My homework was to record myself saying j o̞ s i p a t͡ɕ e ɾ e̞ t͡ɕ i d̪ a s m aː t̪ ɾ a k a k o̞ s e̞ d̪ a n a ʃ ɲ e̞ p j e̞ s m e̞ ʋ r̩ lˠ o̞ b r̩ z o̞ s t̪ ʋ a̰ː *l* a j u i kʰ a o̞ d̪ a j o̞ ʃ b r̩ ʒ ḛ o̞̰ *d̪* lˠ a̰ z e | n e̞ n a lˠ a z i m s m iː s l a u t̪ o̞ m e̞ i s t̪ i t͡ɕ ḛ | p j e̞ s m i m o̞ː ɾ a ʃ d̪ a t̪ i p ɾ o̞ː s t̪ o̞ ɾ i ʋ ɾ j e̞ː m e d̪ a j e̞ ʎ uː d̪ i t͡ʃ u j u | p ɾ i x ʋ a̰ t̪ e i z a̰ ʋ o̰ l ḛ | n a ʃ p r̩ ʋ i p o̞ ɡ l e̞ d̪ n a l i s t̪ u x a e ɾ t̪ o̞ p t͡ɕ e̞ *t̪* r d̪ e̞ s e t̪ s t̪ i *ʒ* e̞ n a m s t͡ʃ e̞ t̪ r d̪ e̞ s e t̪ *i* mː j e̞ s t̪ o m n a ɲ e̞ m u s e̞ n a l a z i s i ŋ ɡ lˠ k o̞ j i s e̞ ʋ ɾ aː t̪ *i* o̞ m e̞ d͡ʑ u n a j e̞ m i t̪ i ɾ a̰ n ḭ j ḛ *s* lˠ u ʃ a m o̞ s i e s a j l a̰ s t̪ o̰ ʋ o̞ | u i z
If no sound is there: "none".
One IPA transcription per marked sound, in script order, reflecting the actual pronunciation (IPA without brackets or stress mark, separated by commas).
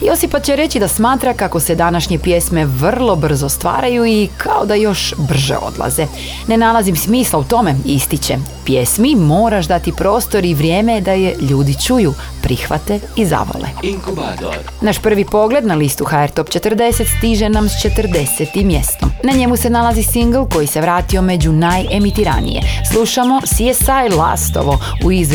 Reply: ɾ, d̪, t̪, ʒ, i, i, s